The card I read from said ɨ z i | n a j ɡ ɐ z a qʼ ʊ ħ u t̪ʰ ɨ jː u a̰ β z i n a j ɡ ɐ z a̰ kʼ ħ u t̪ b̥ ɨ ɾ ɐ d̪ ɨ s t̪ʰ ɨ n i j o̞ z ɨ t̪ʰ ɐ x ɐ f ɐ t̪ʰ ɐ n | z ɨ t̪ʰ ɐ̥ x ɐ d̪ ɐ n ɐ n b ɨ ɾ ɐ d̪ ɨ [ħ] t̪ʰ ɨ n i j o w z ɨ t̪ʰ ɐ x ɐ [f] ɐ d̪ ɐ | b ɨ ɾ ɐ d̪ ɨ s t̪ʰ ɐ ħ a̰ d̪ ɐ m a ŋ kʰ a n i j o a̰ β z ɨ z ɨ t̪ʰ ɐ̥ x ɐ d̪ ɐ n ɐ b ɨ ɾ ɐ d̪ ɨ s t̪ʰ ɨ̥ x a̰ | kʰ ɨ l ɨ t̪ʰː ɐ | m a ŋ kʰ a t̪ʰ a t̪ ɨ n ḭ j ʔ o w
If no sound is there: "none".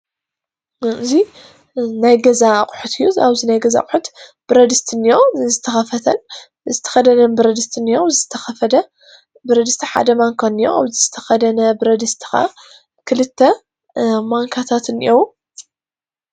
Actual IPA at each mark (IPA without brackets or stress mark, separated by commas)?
s, f